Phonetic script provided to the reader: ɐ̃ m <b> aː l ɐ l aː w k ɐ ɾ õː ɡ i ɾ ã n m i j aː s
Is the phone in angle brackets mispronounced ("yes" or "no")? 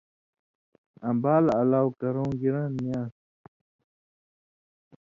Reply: no